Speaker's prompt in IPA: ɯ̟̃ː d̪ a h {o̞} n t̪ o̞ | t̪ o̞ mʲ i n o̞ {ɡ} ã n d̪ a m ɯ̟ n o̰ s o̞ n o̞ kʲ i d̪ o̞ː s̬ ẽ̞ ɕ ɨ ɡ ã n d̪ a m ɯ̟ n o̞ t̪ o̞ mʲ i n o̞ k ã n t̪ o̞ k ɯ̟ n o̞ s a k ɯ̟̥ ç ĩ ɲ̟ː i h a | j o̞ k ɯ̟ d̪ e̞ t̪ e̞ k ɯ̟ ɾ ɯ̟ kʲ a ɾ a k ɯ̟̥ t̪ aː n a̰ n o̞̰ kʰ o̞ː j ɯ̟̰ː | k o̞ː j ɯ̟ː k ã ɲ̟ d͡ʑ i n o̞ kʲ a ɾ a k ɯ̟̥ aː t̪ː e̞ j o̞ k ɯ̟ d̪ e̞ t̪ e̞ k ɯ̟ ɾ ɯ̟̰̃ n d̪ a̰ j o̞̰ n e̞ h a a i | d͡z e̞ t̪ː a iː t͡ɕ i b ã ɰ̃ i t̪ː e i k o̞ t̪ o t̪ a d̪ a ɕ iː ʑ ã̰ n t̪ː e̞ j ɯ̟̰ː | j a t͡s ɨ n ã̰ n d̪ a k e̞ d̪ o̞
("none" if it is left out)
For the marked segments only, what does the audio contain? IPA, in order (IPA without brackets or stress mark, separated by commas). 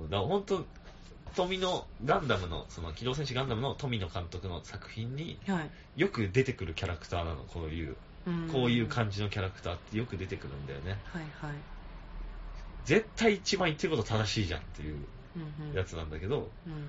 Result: õ̞, ɡ